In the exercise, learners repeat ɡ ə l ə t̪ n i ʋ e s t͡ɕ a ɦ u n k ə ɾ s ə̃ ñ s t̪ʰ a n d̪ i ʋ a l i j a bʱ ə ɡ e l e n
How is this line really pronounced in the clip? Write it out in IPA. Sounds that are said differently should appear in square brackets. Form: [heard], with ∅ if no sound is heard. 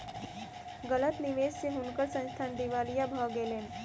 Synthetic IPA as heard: ɡ ə l ə t̪ n i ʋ e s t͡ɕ [e] ɦ u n k ə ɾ s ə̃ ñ s t̪ʰ a n d̪ i ʋ a l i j a bʱ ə ɡ e l e n